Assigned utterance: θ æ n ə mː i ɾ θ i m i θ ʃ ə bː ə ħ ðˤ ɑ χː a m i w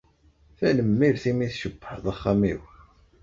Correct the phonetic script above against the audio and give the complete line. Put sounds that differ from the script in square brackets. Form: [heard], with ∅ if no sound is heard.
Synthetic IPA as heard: θ æ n ə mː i ɾ θ i m i θ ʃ ə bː ə ħ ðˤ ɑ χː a m i w